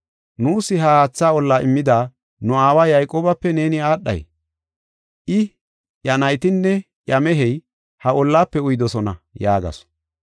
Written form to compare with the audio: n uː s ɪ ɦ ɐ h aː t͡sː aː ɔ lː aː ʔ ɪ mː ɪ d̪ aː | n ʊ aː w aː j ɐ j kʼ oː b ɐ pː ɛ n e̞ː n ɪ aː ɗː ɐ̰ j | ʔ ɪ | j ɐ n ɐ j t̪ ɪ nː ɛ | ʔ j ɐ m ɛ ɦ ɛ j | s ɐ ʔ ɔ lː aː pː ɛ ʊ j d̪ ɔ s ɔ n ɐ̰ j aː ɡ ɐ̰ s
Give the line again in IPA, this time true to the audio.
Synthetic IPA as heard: n uː s ɪ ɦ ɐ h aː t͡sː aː ɔ lː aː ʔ ɪ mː ɪ d̪ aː | n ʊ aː w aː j ɐ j kʼ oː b ɐ pː ɛ n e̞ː n ɪ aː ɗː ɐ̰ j | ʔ ɪ | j ɐ n ɐ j t̪ ɪ nː ɛ | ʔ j ɐ m ɛ ɦ ɛ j | h ɐ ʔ ɔ lː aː pː ɛ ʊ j d̪ ɔ s ɔ n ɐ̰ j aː ɡ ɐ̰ s